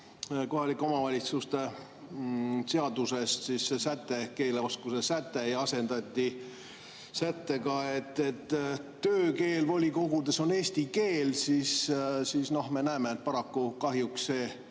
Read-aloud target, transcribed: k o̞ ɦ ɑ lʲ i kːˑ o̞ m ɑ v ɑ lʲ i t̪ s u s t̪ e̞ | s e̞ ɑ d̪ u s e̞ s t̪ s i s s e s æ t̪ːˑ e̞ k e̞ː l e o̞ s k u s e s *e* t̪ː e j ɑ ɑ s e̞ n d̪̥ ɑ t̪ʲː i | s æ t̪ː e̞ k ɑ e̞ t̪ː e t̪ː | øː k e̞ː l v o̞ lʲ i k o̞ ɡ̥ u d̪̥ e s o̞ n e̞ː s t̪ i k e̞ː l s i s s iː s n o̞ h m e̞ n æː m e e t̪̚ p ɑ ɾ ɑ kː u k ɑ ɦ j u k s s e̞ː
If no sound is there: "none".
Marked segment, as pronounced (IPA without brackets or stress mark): æ